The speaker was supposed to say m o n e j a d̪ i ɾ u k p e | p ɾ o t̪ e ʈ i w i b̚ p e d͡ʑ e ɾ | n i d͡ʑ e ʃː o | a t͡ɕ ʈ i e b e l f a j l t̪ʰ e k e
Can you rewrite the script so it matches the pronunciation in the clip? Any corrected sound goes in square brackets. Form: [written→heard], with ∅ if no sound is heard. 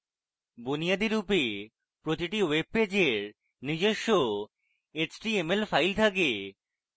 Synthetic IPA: [m→b] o n [e→i] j a d̪ i ɾ u [k→∅] p e | p ɾ o t̪ [e→i] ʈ i w [i→e] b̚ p e d͡ʑ e ɾ | n i d͡ʑ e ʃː o | [a→e] t͡ɕ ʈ i e [b→m] e l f a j l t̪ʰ [e→a] k e

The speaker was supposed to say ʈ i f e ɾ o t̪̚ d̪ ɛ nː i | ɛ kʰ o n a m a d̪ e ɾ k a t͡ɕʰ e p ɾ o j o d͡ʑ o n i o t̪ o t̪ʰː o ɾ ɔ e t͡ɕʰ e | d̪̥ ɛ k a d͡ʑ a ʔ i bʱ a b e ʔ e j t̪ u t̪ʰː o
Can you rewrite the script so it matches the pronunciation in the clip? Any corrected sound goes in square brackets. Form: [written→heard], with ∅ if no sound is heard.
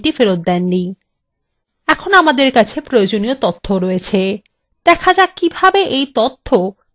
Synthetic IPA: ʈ i f e ɾ o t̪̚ d̪ ɛ nː i | ɛ kʰ o n a m a d̪ e ɾ k a t͡ɕʰ e p ɾ o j o d͡ʑ o n i o t̪ o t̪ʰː o ɾ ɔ e t͡ɕʰ e | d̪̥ ɛ [k→kʰ] a d͡ʑ a [ʔ→k] i bʱ a b e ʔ e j t̪ [u→o] t̪ʰː o

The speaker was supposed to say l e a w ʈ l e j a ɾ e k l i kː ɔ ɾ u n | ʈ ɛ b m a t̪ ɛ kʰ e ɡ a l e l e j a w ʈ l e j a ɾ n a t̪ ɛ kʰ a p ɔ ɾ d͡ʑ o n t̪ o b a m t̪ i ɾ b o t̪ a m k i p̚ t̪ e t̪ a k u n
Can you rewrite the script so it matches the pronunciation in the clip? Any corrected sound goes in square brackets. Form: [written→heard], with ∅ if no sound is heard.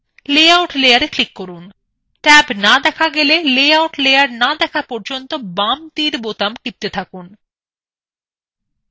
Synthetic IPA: l e a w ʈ l e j a ɾ e k l i kː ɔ ɾ u n | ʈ ɛ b [m→n] a [t̪→d̪] ɛ kʰ [e→a] ɡ [a→e] l e l e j a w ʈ l e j a ɾ n a [t̪→d̪] ɛ kʰ a p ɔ ɾ d͡ʑ o n t̪ o b a m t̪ i ɾ b o t̪ a m k i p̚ t̪ e [t̪→t̪ʰ] a k u n

